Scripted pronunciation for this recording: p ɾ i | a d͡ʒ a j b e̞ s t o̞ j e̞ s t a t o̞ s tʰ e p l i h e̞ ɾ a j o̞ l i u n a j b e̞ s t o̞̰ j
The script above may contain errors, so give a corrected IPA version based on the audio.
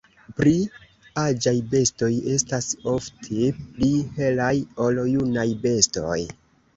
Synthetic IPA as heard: p ɾ i | a d͡ʒ a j b e̞ s t o̞ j e̞ s t a s o̞ f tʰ e p l i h e̞ l a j o̞ l j u n a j b e̞ s t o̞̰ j